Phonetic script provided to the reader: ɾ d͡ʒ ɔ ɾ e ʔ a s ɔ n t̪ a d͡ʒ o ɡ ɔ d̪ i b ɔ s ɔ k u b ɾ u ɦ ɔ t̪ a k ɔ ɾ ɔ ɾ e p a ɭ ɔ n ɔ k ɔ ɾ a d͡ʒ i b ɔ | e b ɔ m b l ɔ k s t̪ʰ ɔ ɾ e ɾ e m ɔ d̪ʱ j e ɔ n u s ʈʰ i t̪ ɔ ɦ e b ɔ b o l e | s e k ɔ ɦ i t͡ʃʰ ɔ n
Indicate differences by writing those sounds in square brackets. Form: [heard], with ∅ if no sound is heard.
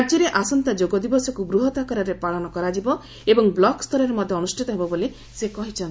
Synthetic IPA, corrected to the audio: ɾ d͡ʒ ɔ ɾ e ʔ a s ɔ n t̪ a d͡ʒ o ɡ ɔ d̪ i b ɔ s ɔ k u b ɾ u ɦ ɔ t̪ a k ɔ ɾ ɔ ɾ e p a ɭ ɔ n ɔ k ɔ ɾ a d͡ʒ i b ɔ | e b ɔ [ŋ] b l ɔ k s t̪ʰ ɔ ɾ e ɾ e m ɔ d̪ʱ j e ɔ n u s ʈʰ i t̪ ɔ ɦ e b ɔ b o l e | s e k ɔ ɦ i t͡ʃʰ ɔ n